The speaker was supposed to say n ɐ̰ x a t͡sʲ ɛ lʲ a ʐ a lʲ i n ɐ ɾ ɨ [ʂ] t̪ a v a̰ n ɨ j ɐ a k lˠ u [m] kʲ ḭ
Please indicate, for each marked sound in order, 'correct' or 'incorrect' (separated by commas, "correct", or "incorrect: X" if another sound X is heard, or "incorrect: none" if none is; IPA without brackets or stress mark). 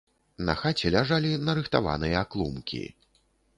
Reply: incorrect: x, correct